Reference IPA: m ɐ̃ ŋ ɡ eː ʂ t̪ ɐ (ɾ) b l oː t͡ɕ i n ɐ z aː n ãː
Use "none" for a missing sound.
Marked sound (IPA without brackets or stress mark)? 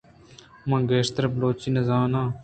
ɾ